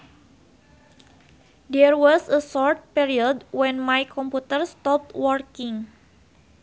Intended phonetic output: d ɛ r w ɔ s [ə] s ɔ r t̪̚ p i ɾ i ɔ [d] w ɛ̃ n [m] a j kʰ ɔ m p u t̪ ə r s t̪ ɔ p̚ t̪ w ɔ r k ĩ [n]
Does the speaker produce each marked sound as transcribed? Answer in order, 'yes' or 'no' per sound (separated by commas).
yes, yes, yes, no